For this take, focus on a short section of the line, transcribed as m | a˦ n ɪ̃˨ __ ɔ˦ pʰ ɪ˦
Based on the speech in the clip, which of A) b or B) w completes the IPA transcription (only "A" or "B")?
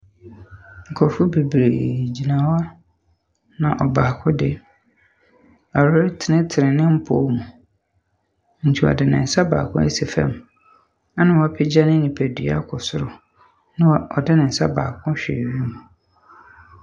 B